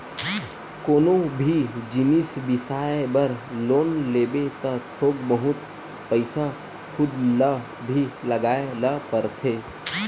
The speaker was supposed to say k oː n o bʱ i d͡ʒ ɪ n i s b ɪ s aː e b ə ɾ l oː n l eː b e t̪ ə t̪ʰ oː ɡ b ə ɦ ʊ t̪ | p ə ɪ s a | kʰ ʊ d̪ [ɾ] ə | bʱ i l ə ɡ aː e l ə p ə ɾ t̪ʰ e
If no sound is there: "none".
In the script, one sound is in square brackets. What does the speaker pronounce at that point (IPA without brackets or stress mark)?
l